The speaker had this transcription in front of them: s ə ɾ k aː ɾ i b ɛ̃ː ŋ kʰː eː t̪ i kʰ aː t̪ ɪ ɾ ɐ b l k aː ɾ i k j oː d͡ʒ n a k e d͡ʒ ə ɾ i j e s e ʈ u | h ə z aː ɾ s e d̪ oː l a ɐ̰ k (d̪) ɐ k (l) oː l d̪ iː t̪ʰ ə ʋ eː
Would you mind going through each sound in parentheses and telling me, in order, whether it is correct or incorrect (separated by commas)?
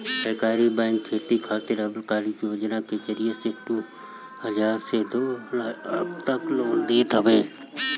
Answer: incorrect, correct